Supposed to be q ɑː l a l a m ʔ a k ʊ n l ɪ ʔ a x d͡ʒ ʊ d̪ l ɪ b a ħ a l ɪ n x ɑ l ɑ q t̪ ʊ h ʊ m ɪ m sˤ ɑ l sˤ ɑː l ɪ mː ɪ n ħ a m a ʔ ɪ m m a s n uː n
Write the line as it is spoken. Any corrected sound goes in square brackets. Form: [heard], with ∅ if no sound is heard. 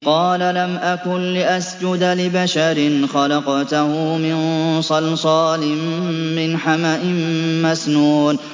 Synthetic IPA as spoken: q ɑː l a l a m ʔ a k ʊ n l ɪ ʔ a [s] d͡ʒ ʊ d̪ l ɪ b a [ʃ] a [ɾ] ɪ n x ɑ l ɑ q t̪ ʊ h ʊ m ɪ [n] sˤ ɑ l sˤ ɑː l ɪ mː ɪ n ħ a m a ʔ ɪ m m a s n uː n

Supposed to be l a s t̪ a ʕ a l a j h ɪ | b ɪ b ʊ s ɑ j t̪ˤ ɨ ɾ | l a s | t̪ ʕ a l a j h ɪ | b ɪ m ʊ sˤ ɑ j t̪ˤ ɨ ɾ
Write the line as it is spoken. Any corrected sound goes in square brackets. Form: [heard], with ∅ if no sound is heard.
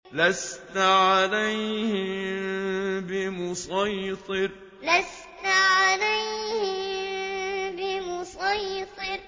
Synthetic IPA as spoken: l a s t̪ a ʕ a l a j h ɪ | b ɪ [m] ʊ s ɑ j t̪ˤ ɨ ɾ | l a s | t̪ ʕ a l a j h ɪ | b ɪ m ʊ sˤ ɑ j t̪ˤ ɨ ɾ

